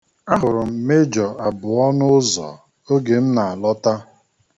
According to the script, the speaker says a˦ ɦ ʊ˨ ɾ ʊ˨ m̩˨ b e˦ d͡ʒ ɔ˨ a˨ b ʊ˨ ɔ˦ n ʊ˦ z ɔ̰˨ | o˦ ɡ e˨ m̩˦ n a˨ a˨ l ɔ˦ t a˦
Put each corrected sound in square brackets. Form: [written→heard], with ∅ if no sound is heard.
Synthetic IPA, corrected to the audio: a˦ ɦ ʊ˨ ɾ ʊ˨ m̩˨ [b→m] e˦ d͡ʒ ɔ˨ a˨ b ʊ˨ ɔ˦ n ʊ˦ z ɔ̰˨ | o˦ ɡ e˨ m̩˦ n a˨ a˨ l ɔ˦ t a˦